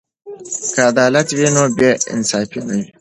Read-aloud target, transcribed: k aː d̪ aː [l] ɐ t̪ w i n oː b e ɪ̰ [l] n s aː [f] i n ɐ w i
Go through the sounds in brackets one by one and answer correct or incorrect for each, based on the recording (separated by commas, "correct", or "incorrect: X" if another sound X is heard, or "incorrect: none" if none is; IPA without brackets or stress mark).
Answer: correct, incorrect: none, correct